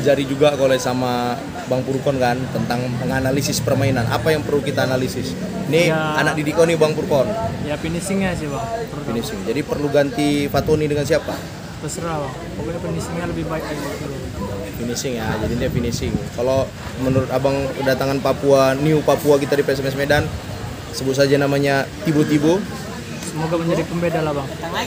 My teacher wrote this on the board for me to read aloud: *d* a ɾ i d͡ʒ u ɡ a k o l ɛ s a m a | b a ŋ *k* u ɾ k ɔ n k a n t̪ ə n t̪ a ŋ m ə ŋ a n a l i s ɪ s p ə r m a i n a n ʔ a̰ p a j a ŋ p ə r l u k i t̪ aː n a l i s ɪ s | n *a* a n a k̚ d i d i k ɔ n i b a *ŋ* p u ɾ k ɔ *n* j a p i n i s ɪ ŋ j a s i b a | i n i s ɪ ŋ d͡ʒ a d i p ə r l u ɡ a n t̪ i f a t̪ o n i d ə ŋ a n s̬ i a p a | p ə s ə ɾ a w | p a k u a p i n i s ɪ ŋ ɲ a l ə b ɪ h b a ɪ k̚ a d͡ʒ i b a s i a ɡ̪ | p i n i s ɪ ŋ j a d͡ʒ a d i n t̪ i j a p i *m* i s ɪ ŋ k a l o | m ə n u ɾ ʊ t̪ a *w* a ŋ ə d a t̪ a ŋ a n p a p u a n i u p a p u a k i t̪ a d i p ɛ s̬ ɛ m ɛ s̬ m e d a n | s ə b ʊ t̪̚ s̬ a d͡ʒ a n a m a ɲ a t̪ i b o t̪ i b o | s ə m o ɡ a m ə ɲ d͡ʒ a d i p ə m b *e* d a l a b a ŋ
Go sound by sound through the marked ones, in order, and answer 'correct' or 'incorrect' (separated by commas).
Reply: incorrect, incorrect, incorrect, correct, correct, incorrect, incorrect, correct